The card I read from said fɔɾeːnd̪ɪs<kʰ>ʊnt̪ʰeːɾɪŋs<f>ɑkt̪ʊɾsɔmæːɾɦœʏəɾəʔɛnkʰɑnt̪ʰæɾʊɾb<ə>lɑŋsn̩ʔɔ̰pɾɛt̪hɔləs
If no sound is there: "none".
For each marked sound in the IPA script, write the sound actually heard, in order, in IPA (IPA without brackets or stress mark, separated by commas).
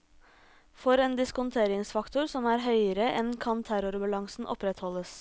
k, f, ɑ